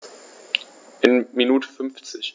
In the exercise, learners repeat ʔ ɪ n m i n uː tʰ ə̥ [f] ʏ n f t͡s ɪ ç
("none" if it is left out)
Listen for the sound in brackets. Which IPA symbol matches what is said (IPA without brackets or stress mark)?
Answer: f